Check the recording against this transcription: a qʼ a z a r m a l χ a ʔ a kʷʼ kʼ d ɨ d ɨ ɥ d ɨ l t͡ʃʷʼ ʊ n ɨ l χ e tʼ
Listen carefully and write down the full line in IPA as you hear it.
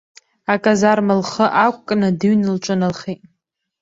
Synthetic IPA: a kʼ a z a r m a l χ ə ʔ a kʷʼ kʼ n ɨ d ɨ ɥ n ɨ l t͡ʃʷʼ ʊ n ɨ l χ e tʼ